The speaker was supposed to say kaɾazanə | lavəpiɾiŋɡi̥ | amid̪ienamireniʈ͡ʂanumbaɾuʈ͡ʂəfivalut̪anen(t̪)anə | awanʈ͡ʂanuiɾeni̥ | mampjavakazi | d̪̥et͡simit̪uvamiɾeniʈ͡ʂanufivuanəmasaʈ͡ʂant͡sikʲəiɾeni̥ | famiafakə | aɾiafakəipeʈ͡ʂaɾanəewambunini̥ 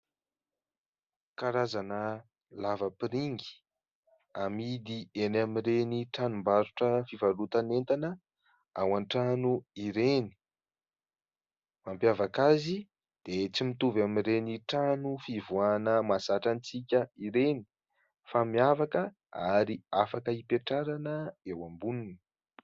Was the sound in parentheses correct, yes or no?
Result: yes